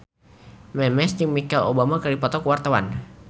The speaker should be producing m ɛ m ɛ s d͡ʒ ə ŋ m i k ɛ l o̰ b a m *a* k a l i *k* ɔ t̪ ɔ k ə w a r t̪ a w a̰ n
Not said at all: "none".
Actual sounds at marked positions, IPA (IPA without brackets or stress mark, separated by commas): a, p